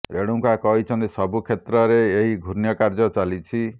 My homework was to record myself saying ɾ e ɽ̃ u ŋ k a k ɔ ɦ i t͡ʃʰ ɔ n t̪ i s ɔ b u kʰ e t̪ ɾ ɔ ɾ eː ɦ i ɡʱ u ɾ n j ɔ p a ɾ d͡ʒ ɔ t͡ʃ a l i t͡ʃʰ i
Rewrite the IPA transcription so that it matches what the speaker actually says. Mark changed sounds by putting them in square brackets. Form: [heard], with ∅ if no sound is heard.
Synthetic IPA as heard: ɾ e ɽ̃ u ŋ k a k ɔ ɦ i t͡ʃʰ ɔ n t̪ i s ɔ b u kʰ e t̪ ɾ ɔ ɾ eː ɦ i ɡʱ u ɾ n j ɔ [k] a ɾ d͡ʒ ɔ t͡ʃ a l i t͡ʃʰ i